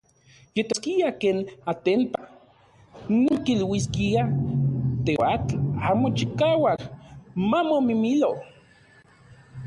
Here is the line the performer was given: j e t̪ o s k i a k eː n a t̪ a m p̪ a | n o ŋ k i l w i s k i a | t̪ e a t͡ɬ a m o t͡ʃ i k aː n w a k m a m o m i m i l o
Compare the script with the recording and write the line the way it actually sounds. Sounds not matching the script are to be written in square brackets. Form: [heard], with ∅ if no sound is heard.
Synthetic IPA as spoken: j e t̪ o s k i a k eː n a t̪ [e] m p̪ a | n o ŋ k i l w i s k i a | t̪ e a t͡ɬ a m o t͡ʃ i k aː [∅] w a k m a m o m i m i l o

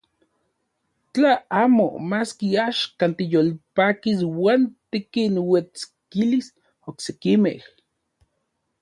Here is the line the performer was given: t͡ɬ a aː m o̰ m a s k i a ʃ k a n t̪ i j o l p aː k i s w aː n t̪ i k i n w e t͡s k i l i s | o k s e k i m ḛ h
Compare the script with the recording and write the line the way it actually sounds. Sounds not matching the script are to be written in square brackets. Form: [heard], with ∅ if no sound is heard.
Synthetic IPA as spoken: t͡ɬ a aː m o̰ m a s k i a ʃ k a n t̪ i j o l p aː k i s w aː n t̪ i k i n w e t͡s k i l i s | o k s e k i m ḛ h

